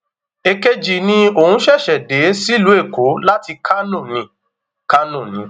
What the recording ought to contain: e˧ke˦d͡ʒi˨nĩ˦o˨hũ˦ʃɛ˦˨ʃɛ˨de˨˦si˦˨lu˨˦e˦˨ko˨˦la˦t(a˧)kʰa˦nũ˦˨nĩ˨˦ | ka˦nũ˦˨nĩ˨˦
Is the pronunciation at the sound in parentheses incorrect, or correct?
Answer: incorrect